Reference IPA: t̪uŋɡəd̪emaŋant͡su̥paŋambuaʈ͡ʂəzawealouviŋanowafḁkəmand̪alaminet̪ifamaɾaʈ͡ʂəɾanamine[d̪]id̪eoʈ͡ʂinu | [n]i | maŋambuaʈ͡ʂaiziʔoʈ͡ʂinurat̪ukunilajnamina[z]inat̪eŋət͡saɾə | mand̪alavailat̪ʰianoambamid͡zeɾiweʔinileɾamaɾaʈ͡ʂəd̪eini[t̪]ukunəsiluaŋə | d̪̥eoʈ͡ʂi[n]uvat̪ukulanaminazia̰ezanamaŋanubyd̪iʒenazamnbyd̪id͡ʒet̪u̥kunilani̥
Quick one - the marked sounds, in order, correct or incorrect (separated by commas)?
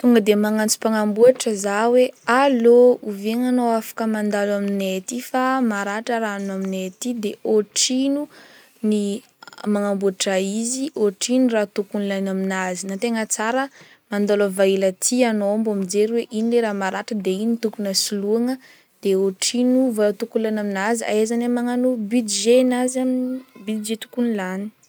incorrect, correct, correct, correct, correct